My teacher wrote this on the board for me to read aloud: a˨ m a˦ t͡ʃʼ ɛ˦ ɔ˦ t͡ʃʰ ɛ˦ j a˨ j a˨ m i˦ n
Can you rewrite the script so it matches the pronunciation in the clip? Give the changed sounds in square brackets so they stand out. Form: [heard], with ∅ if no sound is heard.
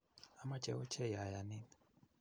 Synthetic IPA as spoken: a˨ m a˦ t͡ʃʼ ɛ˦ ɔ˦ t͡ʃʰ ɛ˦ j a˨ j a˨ [n] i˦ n